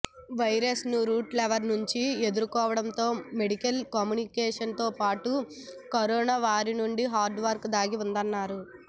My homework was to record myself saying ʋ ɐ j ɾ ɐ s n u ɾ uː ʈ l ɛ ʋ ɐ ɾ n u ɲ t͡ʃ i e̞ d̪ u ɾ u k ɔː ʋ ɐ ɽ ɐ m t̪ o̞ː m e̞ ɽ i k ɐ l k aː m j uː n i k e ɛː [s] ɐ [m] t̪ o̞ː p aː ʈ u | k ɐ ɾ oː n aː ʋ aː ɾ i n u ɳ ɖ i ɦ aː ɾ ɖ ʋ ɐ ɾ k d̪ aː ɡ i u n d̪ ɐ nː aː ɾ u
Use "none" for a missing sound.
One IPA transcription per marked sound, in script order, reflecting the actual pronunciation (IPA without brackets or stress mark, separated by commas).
ʂ, n